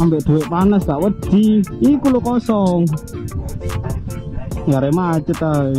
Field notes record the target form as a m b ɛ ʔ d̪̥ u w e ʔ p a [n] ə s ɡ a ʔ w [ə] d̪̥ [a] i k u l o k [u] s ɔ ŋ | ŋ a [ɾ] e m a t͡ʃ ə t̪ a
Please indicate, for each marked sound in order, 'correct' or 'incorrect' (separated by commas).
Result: correct, correct, incorrect, incorrect, correct